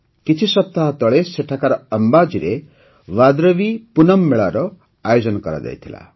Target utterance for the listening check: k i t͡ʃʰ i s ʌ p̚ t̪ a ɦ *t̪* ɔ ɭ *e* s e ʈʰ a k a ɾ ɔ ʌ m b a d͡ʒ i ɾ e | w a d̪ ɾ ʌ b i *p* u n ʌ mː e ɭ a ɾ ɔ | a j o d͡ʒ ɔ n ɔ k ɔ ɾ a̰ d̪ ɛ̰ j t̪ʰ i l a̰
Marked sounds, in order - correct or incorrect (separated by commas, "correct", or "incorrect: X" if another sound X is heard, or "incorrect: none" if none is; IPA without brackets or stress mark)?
correct, correct, correct